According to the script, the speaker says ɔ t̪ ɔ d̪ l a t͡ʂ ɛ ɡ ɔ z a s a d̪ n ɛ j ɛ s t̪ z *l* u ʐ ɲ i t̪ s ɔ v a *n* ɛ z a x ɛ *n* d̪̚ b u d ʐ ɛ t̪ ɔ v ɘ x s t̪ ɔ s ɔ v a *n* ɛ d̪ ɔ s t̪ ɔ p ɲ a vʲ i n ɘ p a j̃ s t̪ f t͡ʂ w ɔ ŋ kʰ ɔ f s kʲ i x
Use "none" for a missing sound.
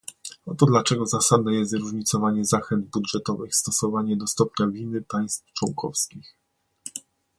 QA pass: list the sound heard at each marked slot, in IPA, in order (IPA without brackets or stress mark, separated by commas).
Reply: ɾ, ɲ, n, ɲ